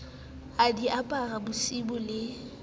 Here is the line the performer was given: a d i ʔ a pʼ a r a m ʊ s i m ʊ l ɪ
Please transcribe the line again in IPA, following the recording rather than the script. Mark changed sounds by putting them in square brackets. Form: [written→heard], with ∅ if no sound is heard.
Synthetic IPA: a d i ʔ a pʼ a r a [m→b] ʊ s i [m→b] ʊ l ɪ